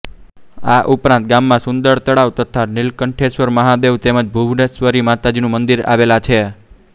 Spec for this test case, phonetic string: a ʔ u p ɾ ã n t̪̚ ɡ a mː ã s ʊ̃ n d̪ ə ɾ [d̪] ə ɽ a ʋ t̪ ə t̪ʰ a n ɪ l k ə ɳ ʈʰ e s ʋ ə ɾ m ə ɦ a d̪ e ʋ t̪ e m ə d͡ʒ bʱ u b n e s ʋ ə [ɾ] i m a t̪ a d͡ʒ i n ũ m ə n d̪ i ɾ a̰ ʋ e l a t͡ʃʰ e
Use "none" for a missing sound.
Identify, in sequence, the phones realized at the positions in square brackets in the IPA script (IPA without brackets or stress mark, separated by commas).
t̪, ɾ